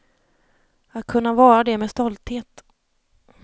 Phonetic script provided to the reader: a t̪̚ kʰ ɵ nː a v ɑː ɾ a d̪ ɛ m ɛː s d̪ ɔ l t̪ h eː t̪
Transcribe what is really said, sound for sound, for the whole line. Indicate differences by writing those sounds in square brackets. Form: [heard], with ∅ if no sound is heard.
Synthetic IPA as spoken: a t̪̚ kʰ ɵ nː a v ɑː ɾ a d̪ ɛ m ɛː s [t̪] ɔ l t̪ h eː t̪